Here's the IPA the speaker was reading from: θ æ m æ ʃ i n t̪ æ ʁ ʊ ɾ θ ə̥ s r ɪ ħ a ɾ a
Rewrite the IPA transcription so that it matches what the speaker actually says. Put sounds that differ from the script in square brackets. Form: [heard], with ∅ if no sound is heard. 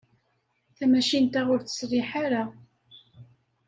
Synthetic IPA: θ æ m æ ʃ i n t̪ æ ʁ ʊ ɾ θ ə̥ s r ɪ ħ a ɾ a